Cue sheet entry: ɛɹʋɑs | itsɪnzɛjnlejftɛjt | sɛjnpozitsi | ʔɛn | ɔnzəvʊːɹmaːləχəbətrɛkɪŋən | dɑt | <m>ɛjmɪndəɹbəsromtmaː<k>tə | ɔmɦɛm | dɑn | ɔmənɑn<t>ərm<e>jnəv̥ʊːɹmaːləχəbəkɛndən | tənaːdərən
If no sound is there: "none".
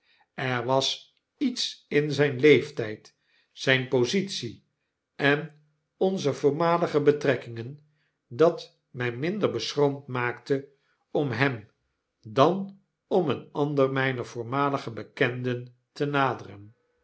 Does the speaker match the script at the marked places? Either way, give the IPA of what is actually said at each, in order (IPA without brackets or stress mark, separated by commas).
m, k, d, ɛ